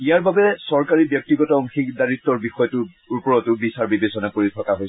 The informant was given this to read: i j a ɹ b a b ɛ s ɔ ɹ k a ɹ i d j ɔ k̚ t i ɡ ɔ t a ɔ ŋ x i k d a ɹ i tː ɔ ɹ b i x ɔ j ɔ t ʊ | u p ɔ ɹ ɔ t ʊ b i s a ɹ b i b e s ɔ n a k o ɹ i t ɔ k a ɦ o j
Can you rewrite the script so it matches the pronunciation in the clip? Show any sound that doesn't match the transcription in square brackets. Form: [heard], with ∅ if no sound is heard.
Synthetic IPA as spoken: i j a ɹ b a b ɛ s ɔ ɹ k a ɹ i [b] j ɔ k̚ t i ɡ ɔ t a ɔ ŋ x i k d a ɹ i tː ɔ ɹ b i x ɔ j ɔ t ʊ | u p ɔ ɹ ɔ t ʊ b i s a ɹ b i b e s ɔ n a k o ɹ i [tʰ] ɔ k a ɦ o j